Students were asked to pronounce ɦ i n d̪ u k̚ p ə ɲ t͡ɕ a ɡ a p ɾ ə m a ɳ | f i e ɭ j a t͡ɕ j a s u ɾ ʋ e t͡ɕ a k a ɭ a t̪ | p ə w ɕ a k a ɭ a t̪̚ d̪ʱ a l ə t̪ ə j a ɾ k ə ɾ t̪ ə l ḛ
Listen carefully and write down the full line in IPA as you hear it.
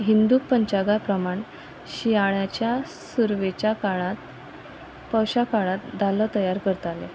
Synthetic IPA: ɦ i n d̪ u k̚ p ə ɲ t͡ɕ a ɡ a p ɾ ə m a ɳ | ɕ i a ɭ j a t͡ɕ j a s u ɾ ʋ e t͡ɕ a k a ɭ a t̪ | p ə w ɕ a k a ɭ a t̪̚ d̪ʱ a l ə t̪ ə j a ɾ k ə ɾ t̪ a l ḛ